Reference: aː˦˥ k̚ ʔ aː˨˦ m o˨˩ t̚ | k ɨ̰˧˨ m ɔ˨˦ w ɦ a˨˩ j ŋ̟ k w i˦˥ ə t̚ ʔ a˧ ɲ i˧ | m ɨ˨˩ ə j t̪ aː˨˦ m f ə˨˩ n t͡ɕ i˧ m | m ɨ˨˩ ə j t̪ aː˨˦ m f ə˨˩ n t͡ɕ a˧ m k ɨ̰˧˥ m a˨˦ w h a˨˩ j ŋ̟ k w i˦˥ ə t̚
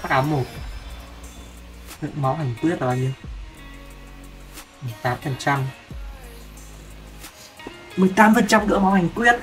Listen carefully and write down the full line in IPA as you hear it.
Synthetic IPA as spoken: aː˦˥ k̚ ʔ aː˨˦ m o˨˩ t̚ | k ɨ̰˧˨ m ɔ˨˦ w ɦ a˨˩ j ŋ̟ k w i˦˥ ə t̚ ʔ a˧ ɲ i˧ | m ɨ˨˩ ə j t̪ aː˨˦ m f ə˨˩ n t͡ɕ a˧ m | m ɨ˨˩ ə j t̪ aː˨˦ m f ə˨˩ n t͡ɕ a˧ m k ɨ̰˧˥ m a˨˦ w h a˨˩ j ŋ̟ k w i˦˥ ə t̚